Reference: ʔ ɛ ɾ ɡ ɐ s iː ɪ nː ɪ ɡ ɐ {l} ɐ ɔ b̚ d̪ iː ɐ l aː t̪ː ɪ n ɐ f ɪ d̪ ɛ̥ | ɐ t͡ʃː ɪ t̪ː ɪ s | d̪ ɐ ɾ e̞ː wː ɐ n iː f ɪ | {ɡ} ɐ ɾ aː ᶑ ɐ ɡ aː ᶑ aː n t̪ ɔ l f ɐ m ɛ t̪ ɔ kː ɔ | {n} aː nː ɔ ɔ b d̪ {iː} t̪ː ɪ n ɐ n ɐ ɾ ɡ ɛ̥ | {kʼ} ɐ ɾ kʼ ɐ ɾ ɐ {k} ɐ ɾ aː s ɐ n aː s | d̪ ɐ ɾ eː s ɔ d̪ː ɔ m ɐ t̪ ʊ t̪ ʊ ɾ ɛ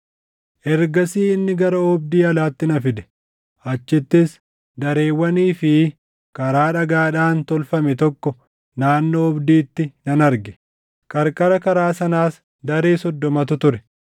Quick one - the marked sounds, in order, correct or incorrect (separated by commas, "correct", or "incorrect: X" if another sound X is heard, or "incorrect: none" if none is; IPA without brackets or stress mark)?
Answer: incorrect: ɾ, incorrect: k, correct, correct, correct, correct